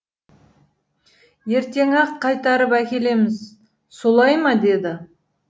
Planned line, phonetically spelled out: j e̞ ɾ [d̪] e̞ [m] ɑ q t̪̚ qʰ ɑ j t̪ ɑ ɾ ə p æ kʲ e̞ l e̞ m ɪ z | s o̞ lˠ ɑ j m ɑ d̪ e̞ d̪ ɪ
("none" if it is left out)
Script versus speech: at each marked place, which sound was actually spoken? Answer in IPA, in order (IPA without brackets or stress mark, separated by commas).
t̪, ŋ